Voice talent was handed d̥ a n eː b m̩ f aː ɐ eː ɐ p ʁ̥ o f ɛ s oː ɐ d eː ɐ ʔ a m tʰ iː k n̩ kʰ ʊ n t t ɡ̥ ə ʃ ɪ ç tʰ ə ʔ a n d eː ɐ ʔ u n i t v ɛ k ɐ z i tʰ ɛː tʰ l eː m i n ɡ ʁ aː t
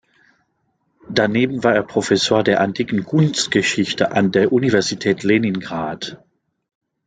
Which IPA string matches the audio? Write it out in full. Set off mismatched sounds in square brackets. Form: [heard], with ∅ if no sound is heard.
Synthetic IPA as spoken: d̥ a n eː b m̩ [v] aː ɐ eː ɐ p ʁ̥ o f ɛ s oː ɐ d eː ɐ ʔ a [n] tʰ iː k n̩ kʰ ʊ n [s] t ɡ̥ ə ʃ ɪ ç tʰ ə ʔ a n d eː ɐ ʔ u n i [∅] v ɛ [∅] ɐ z i tʰ ɛː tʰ l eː [n] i n ɡ ʁ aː t